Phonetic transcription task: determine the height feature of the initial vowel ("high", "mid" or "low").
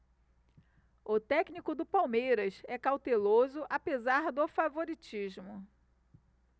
high